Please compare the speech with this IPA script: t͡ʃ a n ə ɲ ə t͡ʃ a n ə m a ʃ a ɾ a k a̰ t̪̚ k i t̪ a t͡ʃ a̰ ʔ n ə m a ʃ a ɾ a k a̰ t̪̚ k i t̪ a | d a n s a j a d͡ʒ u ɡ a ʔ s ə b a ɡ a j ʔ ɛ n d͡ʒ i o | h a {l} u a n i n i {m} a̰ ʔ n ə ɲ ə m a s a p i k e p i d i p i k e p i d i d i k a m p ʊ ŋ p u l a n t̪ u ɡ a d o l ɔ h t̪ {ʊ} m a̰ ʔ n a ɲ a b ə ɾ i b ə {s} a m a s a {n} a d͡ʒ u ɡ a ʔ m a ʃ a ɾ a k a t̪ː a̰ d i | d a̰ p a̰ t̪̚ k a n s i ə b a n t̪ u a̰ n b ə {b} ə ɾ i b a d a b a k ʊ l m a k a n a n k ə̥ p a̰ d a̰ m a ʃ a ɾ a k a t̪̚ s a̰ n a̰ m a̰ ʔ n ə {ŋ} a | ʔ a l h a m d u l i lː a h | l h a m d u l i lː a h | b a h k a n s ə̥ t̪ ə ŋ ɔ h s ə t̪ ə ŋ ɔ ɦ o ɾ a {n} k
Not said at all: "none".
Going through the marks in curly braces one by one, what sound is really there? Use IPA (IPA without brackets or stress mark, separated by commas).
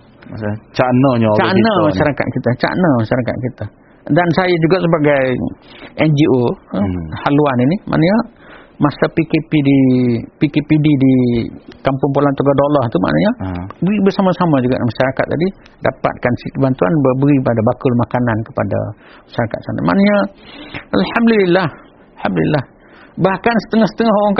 l, m, u, s, m, b, ɲ, ŋ